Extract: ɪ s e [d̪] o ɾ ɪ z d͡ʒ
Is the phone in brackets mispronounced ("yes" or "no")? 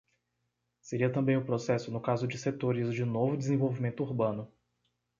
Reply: yes